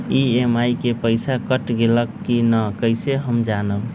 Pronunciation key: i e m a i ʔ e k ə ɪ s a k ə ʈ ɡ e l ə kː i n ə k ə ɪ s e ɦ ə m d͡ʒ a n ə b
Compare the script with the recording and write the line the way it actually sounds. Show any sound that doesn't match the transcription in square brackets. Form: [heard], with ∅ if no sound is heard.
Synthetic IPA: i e m a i [k] e [p] ə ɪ s a k ə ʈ ɡ e l ə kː i n ə k ə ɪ s e ɦ ə m d͡ʒ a n ə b